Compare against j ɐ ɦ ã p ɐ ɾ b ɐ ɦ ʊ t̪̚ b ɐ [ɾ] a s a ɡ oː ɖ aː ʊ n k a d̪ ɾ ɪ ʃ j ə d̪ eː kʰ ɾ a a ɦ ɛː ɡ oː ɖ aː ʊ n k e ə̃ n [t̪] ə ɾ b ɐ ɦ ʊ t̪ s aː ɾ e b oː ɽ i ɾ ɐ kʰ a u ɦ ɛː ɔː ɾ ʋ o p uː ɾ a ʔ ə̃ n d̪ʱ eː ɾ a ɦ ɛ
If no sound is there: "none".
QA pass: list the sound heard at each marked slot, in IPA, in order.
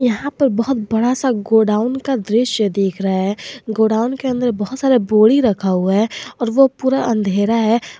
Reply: ɽ, d̪

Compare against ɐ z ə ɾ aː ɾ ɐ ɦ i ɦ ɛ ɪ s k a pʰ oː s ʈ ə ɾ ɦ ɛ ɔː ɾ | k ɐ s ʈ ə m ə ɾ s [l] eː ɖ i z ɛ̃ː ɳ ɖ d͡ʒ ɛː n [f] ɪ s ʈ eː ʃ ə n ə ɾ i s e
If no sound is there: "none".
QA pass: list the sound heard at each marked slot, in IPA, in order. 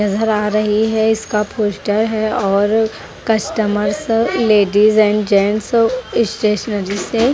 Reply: l, s

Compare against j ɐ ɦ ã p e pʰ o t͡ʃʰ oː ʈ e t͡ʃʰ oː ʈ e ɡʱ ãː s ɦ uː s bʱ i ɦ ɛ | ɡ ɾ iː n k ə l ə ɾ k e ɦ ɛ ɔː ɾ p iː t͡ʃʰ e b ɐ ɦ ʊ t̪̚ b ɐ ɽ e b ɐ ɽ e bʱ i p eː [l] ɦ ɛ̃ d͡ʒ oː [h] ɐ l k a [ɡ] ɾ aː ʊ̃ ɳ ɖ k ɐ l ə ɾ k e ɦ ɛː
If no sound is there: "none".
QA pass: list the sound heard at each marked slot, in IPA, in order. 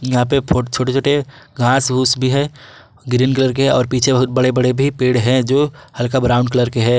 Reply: ɽ, h, b

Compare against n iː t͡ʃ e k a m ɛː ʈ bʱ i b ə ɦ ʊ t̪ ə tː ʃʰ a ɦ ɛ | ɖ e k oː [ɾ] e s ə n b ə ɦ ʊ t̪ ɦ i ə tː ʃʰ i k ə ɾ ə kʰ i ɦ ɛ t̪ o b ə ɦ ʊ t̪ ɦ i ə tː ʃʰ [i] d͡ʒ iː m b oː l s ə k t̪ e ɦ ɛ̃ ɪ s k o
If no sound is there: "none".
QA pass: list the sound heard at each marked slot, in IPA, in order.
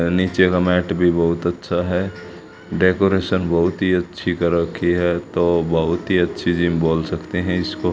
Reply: ɾ, i

